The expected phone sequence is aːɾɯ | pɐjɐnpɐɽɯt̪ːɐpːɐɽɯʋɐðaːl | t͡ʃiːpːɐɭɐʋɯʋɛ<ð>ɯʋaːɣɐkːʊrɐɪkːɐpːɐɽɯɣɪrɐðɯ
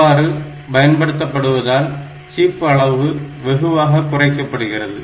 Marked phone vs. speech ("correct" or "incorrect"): incorrect